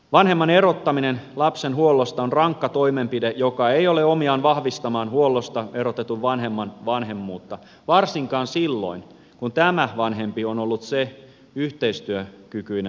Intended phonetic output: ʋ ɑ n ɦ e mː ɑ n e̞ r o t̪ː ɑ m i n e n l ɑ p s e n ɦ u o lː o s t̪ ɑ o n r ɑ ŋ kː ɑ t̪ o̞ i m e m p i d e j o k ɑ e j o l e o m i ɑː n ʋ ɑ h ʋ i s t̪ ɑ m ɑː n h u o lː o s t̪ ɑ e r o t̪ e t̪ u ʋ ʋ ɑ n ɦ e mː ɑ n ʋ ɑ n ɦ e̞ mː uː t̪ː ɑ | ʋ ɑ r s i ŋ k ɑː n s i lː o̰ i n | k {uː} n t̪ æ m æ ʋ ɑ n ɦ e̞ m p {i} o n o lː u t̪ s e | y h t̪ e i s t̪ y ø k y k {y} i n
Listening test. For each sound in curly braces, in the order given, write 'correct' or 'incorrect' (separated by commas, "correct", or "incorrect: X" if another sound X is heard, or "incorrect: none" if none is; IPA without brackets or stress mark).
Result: incorrect: u, correct, correct